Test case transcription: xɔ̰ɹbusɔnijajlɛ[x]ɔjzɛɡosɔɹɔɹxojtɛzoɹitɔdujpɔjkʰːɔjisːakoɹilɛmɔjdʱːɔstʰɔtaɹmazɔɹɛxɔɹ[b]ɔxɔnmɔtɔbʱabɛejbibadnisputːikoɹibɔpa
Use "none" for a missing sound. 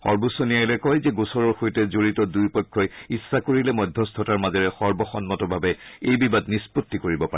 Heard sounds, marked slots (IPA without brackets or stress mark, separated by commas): k, b